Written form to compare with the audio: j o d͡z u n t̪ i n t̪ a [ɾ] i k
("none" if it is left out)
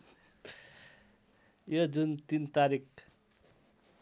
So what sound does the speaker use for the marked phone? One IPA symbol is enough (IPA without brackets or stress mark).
ɾ